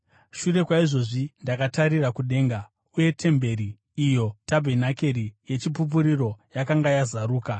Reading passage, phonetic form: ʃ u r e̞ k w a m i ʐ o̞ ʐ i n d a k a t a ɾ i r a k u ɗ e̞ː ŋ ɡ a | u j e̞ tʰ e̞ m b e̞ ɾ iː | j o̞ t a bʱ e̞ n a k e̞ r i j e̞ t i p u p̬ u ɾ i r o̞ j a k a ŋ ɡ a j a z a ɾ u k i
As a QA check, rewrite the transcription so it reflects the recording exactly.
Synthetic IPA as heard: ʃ u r e̞ k w a i ʐ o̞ ʐ i n d a k a t a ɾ i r a k u ɗ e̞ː ŋ ɡ a | u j e̞ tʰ e̞ m b e̞ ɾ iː | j o̞ t a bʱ e̞ n a k e̞ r i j e̞ t͡ʃ i p u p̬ u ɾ i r o̞ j a k a ŋ ɡ a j a z a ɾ uː k a